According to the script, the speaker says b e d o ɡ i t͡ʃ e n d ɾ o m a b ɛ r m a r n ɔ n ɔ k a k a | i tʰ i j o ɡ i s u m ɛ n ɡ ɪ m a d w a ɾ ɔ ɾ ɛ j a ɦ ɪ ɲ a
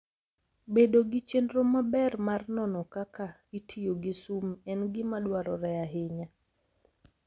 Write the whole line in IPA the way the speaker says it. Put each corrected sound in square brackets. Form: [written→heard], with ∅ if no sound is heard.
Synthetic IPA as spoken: b e d o ɡ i t͡ʃ e n d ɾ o m a b ɛ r m a r n ɔ n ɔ k a k a | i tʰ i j o ɡ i s u m ɛ n ɡ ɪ m a d w a ɾ ɔ ɾ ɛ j a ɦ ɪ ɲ a